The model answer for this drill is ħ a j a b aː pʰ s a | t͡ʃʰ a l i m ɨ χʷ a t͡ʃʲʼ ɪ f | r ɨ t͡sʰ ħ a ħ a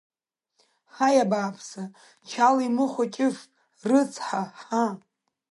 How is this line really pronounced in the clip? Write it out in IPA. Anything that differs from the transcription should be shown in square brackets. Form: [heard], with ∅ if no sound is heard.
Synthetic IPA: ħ a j a b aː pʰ s a | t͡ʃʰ a l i m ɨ χʷ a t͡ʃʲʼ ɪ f | r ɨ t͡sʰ ħ a ħ a